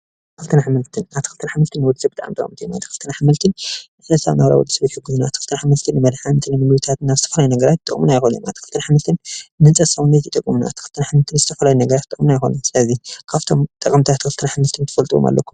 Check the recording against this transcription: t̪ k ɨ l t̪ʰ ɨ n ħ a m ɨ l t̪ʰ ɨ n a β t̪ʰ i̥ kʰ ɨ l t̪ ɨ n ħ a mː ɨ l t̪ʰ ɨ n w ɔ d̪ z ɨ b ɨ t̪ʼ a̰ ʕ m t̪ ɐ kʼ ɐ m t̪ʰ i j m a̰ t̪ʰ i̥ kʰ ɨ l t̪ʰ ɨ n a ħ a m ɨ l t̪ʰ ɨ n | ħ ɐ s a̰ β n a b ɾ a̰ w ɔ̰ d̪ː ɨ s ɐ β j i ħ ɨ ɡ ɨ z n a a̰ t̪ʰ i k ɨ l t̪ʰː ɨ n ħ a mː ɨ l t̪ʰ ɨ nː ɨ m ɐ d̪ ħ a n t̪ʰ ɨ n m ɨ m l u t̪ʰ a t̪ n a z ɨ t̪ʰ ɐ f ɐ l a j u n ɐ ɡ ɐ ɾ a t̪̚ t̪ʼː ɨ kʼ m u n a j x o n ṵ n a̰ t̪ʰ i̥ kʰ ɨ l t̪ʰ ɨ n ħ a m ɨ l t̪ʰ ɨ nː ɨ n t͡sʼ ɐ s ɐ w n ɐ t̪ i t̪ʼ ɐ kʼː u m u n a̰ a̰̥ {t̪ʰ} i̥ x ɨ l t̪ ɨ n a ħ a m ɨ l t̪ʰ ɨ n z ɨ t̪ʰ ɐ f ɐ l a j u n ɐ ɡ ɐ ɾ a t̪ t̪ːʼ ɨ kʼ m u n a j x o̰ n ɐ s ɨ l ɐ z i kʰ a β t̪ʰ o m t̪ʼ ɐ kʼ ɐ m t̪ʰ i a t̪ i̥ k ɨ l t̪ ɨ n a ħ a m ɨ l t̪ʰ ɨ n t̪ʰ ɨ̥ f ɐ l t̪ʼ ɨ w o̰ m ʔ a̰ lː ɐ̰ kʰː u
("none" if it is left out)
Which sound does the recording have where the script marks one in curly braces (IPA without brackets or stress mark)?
t̪